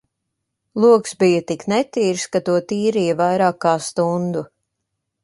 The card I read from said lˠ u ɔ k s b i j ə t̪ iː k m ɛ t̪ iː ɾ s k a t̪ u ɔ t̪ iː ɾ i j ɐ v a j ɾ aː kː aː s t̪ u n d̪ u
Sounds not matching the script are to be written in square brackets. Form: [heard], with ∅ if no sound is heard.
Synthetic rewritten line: lˠ u ɔ k s b i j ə t̪ [i] k [n] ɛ t̪ iː ɾ s k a t̪ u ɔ t̪ iː ɾ i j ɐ v a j ɾ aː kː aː s t̪ u n d̪ u